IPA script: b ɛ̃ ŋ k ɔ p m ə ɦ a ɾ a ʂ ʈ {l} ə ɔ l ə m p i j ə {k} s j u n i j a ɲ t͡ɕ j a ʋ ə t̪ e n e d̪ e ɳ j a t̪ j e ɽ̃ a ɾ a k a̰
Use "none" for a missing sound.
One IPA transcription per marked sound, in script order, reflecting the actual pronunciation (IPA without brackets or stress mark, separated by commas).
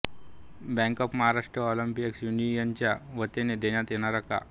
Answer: ɾ, k